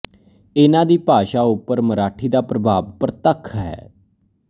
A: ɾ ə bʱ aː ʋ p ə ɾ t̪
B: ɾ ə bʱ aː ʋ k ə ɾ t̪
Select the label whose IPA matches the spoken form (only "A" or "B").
A